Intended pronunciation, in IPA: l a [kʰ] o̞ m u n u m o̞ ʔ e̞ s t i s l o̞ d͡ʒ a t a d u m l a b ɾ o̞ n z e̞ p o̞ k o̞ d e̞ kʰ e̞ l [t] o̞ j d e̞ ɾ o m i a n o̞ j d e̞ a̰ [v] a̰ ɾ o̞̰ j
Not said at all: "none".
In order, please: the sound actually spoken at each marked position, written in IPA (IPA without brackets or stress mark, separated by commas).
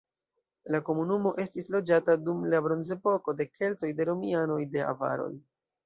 k, t, v